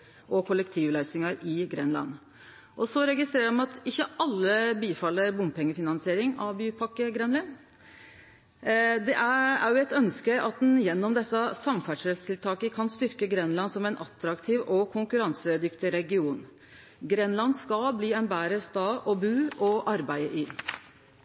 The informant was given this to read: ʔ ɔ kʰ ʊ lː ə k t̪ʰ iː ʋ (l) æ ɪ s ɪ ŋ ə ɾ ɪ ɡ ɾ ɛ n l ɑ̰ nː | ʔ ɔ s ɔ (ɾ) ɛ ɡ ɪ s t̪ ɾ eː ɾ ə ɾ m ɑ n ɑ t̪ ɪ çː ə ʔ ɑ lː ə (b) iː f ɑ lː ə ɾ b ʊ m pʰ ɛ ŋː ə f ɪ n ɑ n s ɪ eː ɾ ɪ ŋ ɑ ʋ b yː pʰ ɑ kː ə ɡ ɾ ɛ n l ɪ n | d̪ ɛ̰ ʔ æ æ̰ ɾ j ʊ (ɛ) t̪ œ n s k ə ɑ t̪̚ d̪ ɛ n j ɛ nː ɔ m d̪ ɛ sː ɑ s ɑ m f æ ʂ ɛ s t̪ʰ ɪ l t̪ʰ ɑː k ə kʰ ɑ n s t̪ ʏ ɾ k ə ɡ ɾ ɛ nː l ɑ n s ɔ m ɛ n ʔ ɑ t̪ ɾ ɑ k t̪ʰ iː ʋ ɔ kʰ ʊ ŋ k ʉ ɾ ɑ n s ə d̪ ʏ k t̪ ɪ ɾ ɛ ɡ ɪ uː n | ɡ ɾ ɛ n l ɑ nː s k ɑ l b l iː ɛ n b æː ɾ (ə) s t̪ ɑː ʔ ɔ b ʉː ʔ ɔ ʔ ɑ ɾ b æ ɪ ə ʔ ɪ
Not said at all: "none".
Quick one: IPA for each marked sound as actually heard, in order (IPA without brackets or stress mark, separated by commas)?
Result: l, ɾ, b, ɛ, ə